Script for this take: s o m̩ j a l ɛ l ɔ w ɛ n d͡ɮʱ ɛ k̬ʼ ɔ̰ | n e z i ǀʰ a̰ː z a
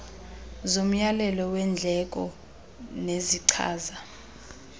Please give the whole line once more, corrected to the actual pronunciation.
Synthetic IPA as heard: z o m̩ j a l ɛ l ɔ w ɛ n d͡ɮʱ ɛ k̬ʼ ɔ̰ | n e z i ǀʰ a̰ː z a